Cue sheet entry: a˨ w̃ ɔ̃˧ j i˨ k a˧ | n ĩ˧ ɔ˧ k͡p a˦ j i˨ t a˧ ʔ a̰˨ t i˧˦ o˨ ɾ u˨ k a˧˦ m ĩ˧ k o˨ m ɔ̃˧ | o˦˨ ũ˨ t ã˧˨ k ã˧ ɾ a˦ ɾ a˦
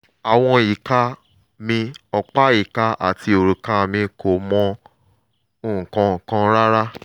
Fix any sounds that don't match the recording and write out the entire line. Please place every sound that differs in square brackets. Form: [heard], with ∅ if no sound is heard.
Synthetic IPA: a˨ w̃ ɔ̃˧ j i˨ k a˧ | [m] ĩ˧ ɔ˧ k͡p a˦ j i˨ [k] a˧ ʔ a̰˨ t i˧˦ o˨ ɾ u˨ k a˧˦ m ĩ˧ k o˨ m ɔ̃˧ | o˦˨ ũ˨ [k] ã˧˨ k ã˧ ɾ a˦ ɾ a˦